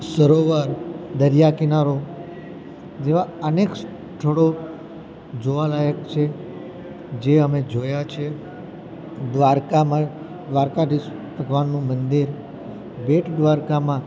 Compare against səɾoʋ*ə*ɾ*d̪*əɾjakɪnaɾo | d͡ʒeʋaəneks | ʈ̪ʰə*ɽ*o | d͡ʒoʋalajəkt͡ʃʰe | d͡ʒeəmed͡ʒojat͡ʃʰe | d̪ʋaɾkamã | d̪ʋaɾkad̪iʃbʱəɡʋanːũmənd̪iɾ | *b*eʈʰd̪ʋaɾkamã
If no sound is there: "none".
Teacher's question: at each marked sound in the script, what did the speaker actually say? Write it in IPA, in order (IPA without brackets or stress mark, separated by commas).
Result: a, d̪, ɽ, b